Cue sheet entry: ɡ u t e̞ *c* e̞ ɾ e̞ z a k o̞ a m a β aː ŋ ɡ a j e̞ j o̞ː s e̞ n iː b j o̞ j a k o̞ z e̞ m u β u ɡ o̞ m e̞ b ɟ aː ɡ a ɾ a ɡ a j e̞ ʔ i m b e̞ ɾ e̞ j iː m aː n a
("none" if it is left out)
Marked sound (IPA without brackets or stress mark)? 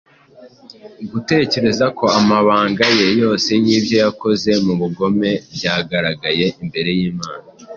c